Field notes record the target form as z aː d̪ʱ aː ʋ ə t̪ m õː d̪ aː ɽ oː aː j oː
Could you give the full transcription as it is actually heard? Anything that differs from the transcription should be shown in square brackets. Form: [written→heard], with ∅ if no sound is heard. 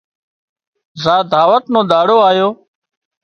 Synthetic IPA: z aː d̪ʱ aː ʋ ə t̪ [m→n] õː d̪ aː ɽ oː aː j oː